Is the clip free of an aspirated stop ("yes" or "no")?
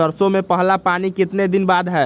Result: yes